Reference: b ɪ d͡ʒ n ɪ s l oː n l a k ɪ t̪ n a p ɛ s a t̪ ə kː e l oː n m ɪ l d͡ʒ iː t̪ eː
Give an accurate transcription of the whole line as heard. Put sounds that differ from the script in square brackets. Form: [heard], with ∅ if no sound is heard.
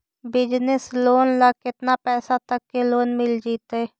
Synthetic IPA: b ɪ d͡ʒ n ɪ s l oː n l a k ɪ t̪ n a p [ɛː] s a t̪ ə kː e l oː n m ɪ l d͡ʒ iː t̪ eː